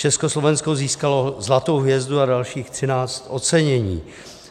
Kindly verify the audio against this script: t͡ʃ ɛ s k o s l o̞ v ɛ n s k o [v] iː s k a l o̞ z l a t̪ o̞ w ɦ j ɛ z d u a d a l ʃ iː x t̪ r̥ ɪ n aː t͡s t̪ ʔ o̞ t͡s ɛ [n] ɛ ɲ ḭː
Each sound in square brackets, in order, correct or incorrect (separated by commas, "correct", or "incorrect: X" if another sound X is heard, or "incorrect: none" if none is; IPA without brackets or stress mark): incorrect: z, incorrect: ɲ